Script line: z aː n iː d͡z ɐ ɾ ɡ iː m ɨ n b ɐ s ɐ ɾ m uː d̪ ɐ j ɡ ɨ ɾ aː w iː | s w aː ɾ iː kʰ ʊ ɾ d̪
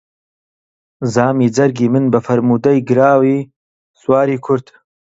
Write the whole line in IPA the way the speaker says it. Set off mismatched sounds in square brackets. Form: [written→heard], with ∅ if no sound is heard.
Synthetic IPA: z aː [n→m] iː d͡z ɐ ɾ ɡ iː m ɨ n b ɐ [s→f] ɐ ɾ m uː d̪ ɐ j ɡ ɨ ɾ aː w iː | s w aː ɾ iː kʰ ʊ ɾ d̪